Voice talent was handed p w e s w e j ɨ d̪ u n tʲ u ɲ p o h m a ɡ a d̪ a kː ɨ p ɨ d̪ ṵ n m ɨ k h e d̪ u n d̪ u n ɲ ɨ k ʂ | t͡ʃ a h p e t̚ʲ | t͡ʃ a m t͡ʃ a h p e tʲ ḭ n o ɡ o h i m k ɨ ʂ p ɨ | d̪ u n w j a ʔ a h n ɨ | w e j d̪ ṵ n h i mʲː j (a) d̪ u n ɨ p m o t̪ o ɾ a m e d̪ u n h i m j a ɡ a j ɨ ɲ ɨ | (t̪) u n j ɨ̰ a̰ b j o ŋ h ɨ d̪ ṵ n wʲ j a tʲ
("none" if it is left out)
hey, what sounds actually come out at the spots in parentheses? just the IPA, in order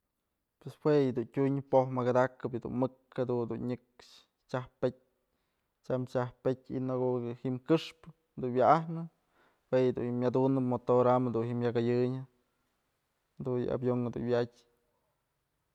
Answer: a, d̪

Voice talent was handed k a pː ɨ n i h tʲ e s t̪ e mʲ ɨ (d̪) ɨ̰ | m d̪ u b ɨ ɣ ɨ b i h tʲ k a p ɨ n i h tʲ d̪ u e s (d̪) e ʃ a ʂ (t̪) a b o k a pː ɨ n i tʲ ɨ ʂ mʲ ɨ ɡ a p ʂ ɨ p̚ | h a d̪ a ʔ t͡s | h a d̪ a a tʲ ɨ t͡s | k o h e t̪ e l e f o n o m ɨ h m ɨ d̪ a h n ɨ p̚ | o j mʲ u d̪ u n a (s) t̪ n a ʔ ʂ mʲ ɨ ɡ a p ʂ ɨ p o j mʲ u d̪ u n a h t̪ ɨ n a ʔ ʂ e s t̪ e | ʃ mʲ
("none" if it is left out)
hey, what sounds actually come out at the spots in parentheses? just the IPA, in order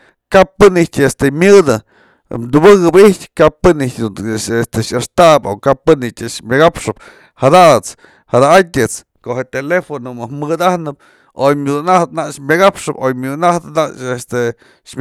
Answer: d̪, t̪, t̪, h

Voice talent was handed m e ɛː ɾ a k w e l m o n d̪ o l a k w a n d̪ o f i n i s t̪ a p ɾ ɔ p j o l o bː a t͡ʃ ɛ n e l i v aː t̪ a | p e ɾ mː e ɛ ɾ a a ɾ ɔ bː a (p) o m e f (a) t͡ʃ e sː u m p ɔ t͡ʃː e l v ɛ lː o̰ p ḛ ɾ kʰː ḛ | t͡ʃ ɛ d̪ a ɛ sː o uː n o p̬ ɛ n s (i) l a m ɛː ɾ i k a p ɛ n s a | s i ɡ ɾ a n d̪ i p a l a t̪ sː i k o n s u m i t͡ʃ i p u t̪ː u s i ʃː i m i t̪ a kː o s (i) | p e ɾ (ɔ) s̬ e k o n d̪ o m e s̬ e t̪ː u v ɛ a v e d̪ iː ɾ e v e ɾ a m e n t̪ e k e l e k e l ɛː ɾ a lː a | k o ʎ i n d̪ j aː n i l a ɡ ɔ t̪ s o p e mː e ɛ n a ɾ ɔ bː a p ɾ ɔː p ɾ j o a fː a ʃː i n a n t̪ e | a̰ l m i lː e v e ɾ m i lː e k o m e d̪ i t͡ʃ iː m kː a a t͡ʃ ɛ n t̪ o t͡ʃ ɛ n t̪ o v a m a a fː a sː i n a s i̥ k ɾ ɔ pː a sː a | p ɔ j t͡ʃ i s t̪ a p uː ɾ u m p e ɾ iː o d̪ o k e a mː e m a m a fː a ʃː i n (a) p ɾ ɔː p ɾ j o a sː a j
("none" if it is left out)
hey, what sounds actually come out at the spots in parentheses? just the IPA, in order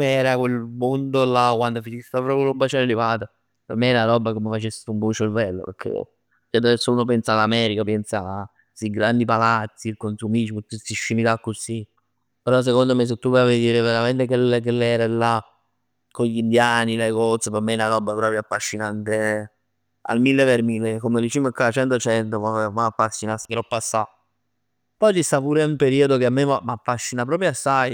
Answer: k, a, a, i, ɔ, a

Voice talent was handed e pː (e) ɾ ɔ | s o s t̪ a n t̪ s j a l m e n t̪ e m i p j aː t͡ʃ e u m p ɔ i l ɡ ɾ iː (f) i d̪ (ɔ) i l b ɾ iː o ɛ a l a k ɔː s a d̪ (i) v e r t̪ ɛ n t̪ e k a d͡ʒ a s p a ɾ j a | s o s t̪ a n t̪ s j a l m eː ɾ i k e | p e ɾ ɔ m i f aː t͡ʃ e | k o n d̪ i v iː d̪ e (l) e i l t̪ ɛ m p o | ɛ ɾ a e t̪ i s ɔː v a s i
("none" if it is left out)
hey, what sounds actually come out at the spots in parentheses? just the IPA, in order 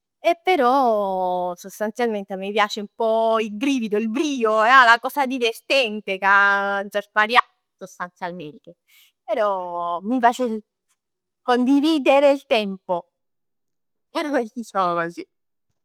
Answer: e, v, o, i, ɾ

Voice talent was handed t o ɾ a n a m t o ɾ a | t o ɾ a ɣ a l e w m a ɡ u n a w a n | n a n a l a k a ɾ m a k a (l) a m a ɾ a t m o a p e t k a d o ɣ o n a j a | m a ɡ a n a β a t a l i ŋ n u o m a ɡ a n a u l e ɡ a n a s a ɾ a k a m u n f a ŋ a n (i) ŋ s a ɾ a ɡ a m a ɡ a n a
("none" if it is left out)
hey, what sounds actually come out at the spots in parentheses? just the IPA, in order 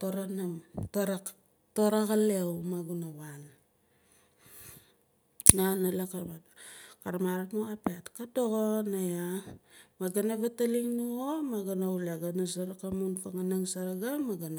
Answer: ɾ, a

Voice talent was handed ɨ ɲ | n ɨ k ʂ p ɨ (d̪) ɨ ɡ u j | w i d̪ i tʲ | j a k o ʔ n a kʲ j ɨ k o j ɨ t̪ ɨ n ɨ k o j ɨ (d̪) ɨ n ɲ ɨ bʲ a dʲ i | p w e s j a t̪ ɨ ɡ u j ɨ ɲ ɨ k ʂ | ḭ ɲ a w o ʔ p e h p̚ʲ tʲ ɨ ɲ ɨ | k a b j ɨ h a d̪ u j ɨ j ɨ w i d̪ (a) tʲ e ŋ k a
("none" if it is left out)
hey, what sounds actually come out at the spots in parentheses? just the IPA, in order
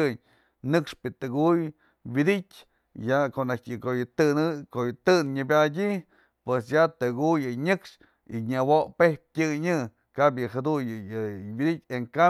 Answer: t̪, t̪, i

